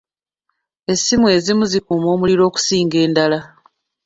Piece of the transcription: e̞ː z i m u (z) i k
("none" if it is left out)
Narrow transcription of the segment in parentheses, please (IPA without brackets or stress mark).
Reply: z